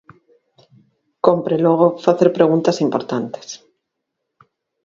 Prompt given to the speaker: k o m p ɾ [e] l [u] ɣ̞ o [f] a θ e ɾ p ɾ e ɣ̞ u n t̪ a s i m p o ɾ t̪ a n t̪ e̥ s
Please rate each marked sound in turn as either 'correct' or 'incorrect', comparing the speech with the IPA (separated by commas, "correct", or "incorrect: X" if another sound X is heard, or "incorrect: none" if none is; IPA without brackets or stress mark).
correct, incorrect: o, correct